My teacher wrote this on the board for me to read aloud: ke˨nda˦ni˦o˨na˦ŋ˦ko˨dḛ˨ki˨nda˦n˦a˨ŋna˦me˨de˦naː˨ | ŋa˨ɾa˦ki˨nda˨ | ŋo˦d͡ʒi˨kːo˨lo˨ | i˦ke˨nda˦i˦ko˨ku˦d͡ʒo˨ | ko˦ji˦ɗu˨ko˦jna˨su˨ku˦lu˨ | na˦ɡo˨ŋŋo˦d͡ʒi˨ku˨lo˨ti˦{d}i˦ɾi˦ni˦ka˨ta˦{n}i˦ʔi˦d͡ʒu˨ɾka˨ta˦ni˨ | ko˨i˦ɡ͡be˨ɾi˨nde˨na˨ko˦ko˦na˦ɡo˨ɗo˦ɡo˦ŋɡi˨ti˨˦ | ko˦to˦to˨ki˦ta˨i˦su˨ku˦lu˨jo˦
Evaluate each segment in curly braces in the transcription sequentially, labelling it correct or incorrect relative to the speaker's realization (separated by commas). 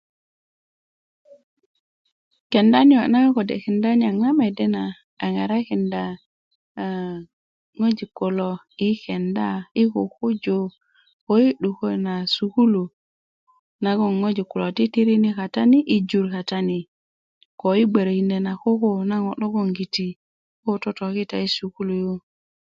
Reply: incorrect, correct